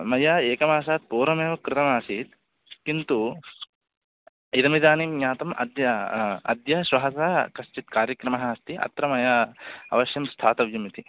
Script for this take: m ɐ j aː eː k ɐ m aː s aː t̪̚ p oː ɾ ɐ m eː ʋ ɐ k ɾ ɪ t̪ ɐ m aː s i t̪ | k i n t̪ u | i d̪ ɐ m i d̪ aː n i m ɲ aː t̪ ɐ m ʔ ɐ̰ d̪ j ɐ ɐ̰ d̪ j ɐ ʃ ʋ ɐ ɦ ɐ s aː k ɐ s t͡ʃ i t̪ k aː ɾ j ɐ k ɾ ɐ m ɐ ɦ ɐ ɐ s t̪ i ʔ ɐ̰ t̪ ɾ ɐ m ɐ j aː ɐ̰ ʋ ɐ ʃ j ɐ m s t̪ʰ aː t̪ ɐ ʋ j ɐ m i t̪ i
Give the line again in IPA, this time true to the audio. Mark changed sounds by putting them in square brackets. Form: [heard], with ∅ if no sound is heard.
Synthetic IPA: m ɐ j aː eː k ɐ m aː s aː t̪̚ p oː ɾ ɐ m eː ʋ ɐ k ɾ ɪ t̪ ɐ m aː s i t̪ | k i n t̪ u | i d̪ ɐ m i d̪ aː n i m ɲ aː t̪ ɐ m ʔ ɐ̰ d̪ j ɐ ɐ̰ d̪ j ɐ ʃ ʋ ɐ ɦ ɐ s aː k ɐ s t͡ʃ i t̪ k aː ɾ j ɐ k ɾ ɐ m ɐ ɦ ɐ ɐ s t̪ i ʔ ɐ̰ t̪ ɾ ɐ m ɐ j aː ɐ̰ ʋ ɐ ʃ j ɐ m s t̪ʰ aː t̪ ɐ ʋ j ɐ m i t̪ i